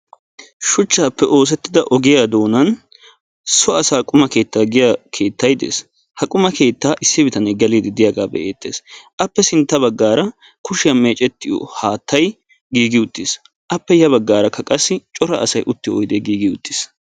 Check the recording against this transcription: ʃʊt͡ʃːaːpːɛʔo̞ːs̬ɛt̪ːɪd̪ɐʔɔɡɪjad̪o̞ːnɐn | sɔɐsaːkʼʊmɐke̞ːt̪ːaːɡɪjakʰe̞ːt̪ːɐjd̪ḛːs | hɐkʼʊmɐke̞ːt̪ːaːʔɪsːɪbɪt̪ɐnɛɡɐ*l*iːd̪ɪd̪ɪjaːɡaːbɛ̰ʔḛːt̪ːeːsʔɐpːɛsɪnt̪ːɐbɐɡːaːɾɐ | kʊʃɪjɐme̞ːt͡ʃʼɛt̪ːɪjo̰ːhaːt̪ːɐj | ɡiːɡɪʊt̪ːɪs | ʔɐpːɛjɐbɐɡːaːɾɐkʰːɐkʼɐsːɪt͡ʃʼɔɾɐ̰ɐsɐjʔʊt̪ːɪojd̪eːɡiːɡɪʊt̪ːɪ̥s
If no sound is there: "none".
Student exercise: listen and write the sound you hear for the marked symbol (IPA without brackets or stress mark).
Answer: l